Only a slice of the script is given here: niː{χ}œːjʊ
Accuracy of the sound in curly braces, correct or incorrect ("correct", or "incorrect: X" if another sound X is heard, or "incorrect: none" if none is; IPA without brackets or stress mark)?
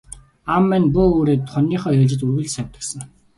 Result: correct